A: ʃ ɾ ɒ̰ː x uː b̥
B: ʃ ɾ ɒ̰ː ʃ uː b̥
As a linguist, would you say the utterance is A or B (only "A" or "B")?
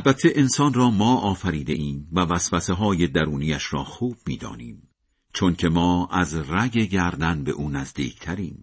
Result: A